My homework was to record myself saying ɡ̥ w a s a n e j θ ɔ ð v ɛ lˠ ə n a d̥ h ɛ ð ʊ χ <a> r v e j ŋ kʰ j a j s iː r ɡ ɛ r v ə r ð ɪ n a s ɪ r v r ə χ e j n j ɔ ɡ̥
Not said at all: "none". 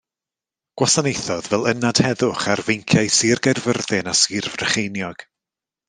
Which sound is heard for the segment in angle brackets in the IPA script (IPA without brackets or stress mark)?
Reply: a